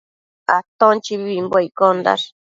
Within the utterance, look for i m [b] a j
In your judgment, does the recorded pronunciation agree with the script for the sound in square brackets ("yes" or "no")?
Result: yes